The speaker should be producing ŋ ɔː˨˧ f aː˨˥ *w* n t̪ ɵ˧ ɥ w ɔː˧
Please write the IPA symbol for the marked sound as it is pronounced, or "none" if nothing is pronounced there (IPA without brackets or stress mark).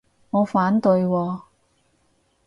none